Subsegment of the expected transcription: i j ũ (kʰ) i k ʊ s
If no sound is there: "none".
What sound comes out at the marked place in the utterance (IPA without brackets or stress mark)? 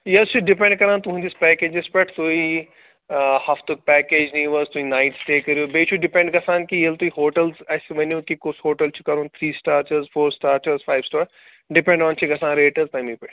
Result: k